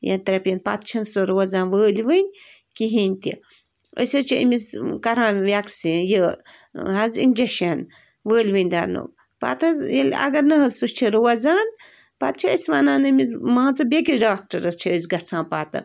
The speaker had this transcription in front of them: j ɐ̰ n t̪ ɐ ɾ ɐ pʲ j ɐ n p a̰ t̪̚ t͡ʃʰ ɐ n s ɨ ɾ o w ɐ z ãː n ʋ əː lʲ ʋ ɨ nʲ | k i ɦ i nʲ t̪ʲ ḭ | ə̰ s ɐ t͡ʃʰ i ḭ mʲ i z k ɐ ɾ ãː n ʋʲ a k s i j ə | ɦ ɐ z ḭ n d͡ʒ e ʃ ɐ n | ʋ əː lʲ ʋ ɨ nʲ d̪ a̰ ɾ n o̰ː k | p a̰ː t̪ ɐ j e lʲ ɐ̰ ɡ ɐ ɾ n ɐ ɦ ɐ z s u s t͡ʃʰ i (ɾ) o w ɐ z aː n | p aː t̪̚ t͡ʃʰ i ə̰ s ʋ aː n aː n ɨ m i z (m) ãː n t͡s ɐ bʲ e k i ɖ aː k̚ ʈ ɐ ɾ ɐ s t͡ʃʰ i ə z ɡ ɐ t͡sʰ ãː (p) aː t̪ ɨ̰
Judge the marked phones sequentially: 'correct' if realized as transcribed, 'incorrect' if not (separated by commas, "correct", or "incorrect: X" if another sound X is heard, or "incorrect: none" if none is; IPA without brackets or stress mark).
correct, correct, correct